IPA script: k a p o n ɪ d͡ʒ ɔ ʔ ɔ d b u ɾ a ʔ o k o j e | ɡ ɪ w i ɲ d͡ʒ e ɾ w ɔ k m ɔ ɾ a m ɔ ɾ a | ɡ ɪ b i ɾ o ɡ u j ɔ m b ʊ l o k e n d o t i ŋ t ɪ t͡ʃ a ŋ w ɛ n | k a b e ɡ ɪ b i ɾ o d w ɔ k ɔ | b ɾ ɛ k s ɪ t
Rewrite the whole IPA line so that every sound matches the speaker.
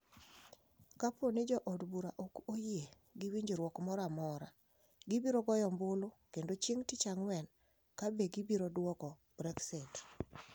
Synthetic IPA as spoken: k a p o n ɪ d͡ʒ ɔ ʔ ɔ d b u ɾ a ʔ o k o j e | ɡ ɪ w i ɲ d͡ʒ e ɾ w ɔ k m ɔ ɾ a m ɔ ɾ a | ɡ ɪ b i ɾ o ɡ ɔ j ɔ m b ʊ l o k e n d o t͡ʃ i ŋ t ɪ t͡ʃ a ŋ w ɛ n | k a b e ɡ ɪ b i ɾ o d w ɔ k ɔ | b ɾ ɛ k s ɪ t